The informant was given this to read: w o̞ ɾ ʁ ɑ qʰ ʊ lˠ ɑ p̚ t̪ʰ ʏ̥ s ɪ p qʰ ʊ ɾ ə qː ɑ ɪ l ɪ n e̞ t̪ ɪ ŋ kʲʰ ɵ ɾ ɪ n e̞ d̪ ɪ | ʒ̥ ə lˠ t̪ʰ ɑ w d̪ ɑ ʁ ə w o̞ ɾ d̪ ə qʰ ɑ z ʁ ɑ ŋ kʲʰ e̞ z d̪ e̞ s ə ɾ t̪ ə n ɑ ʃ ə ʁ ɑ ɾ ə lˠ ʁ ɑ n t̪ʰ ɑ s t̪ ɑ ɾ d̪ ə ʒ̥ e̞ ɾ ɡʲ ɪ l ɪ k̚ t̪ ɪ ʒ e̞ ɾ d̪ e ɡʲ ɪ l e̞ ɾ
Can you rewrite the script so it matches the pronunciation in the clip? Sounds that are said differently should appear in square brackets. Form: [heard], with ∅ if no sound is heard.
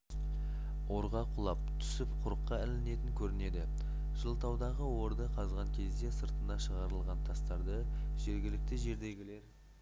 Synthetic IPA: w o̞ ɾ ʁ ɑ qʰ ʊ lˠ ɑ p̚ t̪ʰ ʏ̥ s ɪ p qʰ ʊ ɾ ə qː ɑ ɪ l ɪ n e̞ t̪ ɪ ŋ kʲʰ ɵ ɾ ɪ n e̞ d̪ ɪ | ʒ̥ ə lˠ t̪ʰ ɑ w d̪ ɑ ʁ ə w o̞ ɾ d̪ ə qʰ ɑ z ʁ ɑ ŋ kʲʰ e̞ z d̪ e̞ s ə ɾ t̪ ə n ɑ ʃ ə ʁ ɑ ɾ ə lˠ ʁ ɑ n t̪ʰ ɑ s t̪ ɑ ɾ d̪ ə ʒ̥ e̞ ɾ ɡʲ ɪ l ɪ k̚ t̪ ɪ ʒ e̞ ɾ d̪ e ɡʲ ɪ l e̞ ɾ

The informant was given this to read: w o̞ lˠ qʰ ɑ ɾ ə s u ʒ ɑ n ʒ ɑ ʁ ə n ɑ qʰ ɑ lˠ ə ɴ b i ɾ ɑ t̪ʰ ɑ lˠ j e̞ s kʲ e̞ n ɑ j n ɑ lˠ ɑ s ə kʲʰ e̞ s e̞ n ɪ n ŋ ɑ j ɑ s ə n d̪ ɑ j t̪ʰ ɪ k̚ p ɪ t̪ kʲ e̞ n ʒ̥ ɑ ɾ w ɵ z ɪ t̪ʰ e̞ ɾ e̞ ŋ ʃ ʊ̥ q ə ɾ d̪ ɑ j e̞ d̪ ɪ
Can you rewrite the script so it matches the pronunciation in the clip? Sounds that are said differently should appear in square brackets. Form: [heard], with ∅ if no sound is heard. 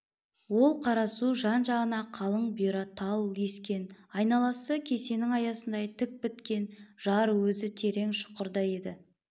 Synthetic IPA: w o̞ lˠ qʰ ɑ ɾ [ɑ] s u ʒ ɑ n ʒ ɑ ʁ ə n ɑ qʰ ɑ lˠ ə ɴ b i ɾ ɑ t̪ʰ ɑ lˠ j e̞ s kʲ e̞ n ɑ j n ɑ lˠ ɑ s ə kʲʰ e̞ s e̞ n ɪ [∅] ŋ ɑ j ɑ s ə n d̪ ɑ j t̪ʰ ɪ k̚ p ɪ t̪ kʲ e̞ n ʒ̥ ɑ ɾ w ɵ z ɪ t̪ʰ e̞ ɾ e̞ ŋ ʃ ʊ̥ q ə ɾ d̪ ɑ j e̞ d̪ ɪ

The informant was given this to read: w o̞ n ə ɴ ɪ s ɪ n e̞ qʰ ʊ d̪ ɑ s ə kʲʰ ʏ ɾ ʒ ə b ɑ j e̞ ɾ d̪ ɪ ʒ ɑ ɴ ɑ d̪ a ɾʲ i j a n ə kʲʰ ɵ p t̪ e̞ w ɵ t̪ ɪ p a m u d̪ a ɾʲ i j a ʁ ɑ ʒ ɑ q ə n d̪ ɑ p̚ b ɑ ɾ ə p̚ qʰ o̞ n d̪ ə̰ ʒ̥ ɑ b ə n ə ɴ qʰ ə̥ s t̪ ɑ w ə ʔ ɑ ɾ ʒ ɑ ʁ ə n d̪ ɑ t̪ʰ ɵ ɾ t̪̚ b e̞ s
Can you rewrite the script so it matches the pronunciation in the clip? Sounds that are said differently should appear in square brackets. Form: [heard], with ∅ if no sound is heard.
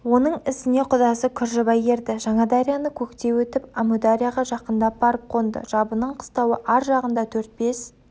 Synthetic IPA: w o̞ n ə ɴ ɪ s ɪ n e̞ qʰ ʊ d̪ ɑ s ə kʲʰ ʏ ɾ ʒ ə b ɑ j e̞ ɾ d̪ ɪ ʒ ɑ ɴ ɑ d̪ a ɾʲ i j a n ə kʲʰ ɵ [k] t̪ e̞ w ɵ t̪ ɪ p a m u d̪ a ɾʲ i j a ʁ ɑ ʒ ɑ q ə n d̪ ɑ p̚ b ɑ ɾ ə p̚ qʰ o̞ n d̪ ə̰ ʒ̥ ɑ b ə n ə ɴ qʰ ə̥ s t̪ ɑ w ə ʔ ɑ ɾ ʒ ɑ ʁ ə n d̪ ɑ t̪ʰ ɵ ɾ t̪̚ b e̞ s

